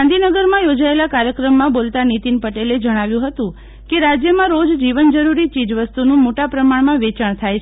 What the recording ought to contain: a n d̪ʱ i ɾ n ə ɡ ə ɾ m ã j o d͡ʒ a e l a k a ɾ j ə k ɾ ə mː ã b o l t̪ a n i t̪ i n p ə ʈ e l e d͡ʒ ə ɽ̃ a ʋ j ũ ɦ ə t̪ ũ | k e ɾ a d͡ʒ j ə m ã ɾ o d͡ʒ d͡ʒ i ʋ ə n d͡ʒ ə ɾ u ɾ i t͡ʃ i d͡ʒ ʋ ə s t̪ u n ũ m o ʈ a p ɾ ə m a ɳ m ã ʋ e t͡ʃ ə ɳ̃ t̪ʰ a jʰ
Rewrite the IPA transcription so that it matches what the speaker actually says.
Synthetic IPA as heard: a n d̪ʱ i n ə ɡ ə ɾ m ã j o d͡ʒ a e l a k a ɾ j ə k ɾ ə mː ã b o l t̪ a n i t̪ i n p ə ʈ e l e d͡ʒ ə ɽ̃ a ʋ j ũ ɦ ə t̪ ũ | k e ɾ a d͡ʒ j ə m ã ɾ o d͡ʒ d͡ʒ i ʋ ə n d͡ʒ ə ɾ u ɾ i t͡ʃ i d͡ʒ ʋ ə s t̪ u n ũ m o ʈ a p ɾ ə m a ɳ m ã ʋ e t͡ʃ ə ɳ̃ t̪ʰ a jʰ